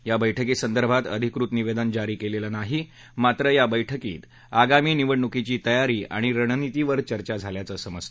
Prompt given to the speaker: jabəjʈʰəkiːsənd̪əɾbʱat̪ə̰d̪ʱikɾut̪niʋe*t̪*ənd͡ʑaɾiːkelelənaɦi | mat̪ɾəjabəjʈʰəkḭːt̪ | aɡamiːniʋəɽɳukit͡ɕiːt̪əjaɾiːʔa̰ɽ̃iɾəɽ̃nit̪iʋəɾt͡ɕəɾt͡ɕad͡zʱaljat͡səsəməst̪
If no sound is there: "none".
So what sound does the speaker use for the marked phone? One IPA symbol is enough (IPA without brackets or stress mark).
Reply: d̪